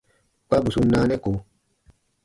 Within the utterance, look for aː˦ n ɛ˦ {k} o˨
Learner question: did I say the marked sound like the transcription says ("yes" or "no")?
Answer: yes